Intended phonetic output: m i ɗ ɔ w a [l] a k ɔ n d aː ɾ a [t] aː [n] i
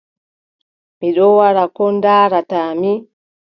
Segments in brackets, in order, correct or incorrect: incorrect: ɾ, correct, incorrect: m

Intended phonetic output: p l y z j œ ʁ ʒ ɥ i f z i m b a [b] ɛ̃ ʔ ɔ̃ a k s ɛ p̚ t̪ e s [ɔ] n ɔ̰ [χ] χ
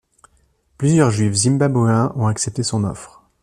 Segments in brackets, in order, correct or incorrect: correct, incorrect: ɔ̃, incorrect: f

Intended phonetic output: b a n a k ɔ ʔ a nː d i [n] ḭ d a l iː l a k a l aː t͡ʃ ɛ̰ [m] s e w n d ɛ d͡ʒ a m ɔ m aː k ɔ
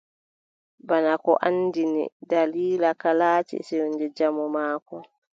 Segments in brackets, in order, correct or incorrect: correct, incorrect: none

